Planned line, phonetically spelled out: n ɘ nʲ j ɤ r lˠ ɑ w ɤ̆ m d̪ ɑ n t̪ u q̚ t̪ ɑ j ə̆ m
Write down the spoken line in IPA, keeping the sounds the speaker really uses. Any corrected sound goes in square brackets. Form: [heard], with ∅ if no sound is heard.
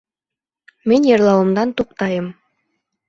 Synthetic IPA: [m] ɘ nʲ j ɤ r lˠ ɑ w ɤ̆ m d̪ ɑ n t̪ u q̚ t̪ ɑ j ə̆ m